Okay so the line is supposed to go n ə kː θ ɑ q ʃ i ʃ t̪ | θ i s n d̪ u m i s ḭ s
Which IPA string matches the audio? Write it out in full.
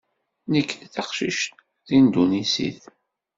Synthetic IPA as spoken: n ə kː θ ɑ q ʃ i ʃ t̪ | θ i n d̪ u n i s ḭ θ